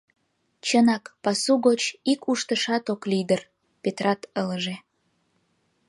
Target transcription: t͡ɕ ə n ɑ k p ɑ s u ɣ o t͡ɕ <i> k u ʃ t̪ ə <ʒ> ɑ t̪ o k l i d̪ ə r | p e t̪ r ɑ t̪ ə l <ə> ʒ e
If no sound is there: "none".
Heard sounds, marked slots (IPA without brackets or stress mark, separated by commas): i, ʃ, ə